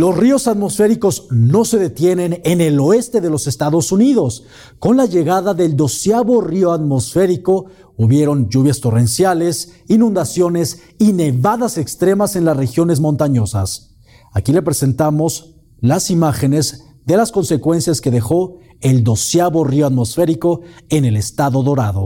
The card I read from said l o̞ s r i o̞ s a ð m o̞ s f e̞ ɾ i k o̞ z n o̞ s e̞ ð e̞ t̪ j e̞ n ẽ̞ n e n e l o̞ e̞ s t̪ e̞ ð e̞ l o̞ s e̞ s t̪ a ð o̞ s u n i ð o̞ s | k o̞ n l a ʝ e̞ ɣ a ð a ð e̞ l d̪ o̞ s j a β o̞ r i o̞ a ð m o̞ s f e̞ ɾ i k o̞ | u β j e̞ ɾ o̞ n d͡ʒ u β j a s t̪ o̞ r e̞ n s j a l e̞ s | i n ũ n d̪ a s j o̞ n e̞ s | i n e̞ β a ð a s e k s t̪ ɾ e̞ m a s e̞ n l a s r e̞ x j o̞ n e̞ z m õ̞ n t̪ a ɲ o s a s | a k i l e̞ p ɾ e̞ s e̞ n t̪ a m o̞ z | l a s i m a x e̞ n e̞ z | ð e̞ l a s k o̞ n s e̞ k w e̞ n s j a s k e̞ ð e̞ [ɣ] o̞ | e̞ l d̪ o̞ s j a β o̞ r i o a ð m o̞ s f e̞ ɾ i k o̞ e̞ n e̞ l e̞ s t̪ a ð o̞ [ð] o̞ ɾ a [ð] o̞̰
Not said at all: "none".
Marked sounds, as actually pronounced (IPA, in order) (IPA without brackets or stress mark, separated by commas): x, ð, ð